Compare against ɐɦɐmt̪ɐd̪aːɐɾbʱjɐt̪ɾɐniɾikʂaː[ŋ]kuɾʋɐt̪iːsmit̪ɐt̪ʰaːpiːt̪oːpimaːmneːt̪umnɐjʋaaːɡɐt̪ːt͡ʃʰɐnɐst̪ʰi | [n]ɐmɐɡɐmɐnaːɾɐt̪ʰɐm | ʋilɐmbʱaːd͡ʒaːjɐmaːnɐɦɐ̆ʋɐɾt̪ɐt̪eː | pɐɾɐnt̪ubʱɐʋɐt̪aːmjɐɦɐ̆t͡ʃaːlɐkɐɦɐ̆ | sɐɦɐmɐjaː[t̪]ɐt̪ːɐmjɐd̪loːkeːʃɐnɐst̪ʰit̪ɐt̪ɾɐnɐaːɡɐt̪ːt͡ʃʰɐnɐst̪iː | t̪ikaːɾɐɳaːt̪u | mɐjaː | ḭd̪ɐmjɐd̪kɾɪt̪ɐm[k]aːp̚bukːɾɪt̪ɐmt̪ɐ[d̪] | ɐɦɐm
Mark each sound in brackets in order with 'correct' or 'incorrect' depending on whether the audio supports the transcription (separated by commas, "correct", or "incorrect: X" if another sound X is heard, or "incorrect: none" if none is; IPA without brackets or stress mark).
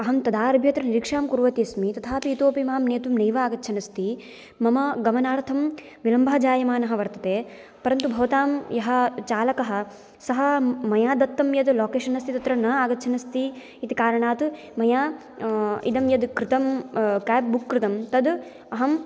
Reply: incorrect: m, incorrect: m, incorrect: d̪, correct, correct